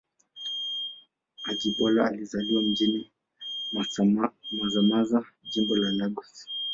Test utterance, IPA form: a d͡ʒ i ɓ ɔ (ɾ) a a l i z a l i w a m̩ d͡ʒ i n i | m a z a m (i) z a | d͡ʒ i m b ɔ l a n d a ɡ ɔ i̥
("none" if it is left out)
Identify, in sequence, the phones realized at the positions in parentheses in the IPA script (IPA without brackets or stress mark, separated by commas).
l, a